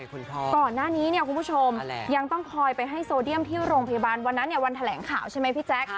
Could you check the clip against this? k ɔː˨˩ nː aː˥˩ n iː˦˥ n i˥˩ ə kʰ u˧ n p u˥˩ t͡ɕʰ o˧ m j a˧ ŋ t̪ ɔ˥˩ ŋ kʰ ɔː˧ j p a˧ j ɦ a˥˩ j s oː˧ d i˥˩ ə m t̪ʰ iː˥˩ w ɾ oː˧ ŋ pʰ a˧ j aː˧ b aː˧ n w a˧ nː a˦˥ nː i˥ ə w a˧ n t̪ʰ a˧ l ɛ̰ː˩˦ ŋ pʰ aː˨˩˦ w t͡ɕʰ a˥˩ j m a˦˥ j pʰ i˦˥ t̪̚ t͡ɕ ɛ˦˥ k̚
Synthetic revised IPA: k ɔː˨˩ nː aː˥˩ n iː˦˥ n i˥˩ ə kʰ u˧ n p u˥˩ t͡ɕʰ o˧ m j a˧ ŋ t̪ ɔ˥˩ ŋ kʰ ɔː˧ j p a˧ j ɦ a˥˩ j s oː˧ d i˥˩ ə m t̪ʰ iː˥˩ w ɾ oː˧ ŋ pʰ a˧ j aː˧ b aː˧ n w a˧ nː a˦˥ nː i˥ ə w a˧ n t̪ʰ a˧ l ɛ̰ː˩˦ ŋ kʰ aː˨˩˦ w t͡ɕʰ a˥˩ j m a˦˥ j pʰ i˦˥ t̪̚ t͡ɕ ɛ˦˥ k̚